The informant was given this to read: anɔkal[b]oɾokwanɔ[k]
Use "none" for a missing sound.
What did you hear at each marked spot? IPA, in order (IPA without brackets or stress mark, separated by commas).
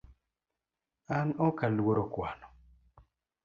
w, none